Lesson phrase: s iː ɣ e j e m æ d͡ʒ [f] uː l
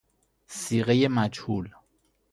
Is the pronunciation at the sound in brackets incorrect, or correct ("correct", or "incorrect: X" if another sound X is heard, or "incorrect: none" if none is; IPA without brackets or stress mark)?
incorrect: h